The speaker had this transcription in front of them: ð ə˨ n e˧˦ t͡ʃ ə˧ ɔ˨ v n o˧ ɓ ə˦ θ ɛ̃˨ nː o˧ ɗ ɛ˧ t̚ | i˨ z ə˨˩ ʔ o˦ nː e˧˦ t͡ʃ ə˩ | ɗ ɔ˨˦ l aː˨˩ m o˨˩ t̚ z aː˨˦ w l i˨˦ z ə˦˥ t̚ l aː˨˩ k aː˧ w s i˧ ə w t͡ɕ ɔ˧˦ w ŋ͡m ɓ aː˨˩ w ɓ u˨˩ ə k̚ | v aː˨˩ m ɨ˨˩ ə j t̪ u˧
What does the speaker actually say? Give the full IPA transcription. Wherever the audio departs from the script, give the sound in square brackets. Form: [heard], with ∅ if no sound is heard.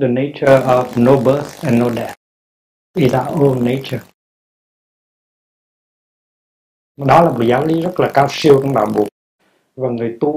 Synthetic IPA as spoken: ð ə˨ n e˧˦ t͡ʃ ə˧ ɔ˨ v n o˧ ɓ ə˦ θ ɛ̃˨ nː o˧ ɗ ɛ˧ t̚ | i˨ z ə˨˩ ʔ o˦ nː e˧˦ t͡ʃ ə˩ | ɗ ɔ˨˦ l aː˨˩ m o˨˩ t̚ z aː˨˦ w l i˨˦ z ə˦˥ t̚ l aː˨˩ k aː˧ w s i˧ ə w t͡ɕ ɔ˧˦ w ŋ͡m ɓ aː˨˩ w ɓ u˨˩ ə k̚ | v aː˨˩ [ŋ] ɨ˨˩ ə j t̪ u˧